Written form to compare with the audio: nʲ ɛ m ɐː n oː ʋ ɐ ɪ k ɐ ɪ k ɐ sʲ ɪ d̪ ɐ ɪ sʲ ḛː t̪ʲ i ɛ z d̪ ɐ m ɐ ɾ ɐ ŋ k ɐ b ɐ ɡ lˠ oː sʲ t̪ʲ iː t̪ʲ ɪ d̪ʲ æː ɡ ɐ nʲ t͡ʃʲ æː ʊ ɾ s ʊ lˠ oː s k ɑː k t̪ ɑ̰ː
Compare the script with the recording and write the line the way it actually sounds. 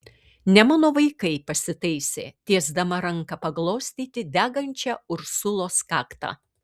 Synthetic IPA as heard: nʲ ɛ m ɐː n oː ʋ ɐ ɪ k ɐ ɪ p ɐ sʲ ɪ t̪ ɐ ɪ sʲ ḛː t̪ʲ i ɛ z d̪ ɐ m ɐ ɾ ɐ ŋ k ɐ p ɐ ɡ lˠ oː sʲ t̪ʲ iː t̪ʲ ɪ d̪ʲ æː ɡ ɐ nʲ t͡ʃʲ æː ʊ ɾ s ʊ lˠ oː s k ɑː k t̪ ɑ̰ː